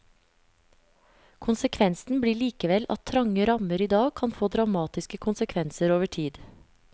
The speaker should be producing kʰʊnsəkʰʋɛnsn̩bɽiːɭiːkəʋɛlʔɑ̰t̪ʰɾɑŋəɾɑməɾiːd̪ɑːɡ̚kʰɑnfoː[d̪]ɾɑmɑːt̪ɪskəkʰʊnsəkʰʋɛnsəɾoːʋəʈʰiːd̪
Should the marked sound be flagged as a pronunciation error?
no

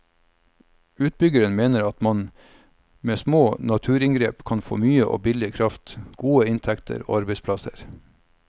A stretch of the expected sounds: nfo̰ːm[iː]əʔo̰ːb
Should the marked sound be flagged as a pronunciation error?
yes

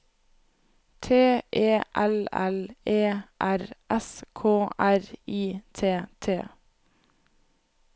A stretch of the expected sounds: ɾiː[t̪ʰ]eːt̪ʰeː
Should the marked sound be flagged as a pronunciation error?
no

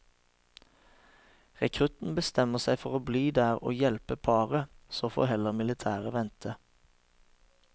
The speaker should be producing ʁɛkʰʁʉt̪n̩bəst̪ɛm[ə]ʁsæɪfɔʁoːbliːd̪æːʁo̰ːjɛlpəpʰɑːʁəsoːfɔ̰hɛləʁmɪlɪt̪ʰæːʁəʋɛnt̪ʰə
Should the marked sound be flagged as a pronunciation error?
no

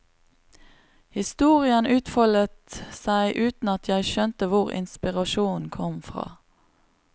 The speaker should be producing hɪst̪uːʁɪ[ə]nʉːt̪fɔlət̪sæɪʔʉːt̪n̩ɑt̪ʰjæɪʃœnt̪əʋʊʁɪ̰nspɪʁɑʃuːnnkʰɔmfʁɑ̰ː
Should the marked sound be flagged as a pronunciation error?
no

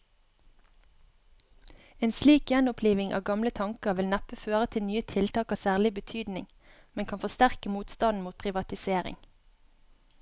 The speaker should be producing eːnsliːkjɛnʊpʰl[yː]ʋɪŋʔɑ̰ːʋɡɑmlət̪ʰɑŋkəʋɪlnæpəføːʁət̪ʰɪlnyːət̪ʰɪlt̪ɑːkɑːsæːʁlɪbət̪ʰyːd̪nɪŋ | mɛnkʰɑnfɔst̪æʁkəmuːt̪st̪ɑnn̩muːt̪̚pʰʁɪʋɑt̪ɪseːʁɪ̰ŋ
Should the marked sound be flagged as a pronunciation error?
yes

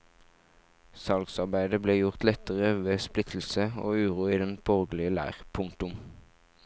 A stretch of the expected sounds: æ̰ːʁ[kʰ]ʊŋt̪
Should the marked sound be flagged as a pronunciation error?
yes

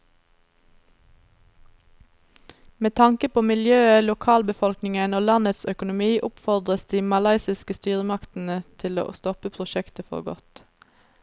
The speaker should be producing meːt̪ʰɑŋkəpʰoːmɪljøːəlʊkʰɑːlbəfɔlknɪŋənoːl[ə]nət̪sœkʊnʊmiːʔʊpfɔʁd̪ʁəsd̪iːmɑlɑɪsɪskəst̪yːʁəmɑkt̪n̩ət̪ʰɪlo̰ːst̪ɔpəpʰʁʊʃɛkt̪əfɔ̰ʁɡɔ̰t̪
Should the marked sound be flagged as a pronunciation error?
yes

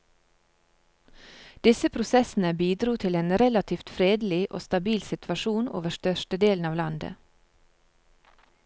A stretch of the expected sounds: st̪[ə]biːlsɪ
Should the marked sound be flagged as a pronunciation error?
yes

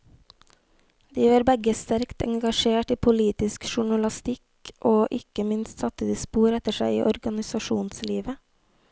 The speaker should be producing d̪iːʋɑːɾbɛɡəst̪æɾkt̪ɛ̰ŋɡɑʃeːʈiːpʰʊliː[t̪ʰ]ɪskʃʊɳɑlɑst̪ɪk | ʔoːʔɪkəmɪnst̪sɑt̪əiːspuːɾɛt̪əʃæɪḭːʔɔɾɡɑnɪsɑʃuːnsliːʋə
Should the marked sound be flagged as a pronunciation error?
yes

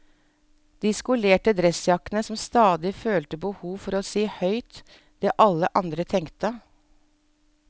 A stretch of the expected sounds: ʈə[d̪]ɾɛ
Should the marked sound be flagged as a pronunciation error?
no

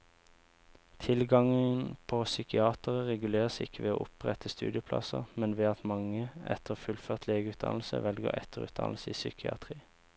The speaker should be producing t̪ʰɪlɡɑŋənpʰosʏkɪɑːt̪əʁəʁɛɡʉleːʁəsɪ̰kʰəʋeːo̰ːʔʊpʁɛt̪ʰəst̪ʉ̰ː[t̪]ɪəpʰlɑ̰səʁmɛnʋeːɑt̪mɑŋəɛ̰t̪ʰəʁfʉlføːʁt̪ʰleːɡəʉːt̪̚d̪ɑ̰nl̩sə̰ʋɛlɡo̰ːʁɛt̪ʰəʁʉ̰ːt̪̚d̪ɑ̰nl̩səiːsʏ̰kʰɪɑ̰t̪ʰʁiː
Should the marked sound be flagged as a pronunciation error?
yes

